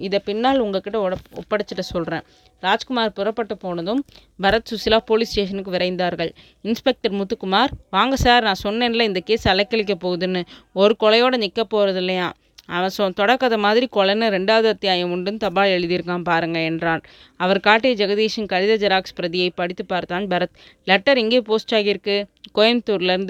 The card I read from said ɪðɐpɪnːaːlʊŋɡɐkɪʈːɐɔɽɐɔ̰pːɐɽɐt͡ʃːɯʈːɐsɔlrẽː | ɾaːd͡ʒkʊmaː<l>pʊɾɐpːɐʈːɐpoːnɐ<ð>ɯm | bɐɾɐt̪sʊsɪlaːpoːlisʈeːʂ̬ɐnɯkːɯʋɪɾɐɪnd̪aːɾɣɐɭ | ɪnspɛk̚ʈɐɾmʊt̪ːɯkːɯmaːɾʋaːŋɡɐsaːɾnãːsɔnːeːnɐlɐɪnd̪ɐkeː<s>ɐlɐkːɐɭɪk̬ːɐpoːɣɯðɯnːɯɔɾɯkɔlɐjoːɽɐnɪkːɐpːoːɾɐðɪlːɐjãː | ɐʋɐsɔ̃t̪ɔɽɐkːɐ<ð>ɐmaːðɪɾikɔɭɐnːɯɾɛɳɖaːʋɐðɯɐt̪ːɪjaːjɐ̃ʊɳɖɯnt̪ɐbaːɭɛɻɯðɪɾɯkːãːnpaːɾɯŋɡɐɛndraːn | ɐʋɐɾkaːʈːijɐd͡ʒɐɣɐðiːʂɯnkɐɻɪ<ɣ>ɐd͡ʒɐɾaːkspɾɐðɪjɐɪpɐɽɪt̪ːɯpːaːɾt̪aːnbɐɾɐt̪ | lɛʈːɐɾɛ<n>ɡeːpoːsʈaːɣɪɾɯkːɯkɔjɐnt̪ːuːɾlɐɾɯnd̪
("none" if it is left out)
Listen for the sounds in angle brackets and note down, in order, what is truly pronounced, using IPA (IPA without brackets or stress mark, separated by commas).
ɾ, ð, s, ð, ð, ŋ